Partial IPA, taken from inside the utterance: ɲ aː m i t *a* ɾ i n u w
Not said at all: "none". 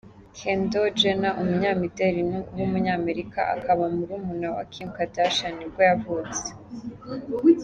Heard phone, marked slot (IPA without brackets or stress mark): e